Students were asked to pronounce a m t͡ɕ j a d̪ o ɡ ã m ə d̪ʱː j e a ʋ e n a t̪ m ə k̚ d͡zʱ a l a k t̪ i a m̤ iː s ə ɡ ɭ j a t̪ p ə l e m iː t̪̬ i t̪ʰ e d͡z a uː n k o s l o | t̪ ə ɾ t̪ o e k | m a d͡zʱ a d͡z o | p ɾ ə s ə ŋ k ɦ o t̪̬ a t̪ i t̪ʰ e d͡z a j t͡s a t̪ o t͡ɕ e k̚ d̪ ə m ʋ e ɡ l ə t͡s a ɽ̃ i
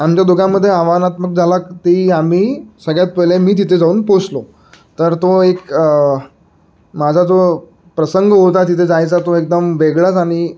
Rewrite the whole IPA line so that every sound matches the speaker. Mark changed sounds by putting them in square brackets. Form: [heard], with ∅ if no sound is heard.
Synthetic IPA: a m t͡ɕ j a d̪ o ɡ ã m ə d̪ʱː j e a ʋ [a] n a t̪ m ə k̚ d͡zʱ a l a k t̪ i a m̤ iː s ə ɡ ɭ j a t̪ p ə l e m iː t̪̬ i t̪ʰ e d͡z a uː n [p] o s l o | t̪ ə ɾ t̪ o e k | m a d͡zʱ a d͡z o | p ɾ ə s ə ŋ [ɡ] ɦ o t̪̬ a t̪ i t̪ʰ e d͡z a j t͡s a t̪ o [∅] e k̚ d̪ ə m ʋ e ɡ [ɭ] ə t͡s a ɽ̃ i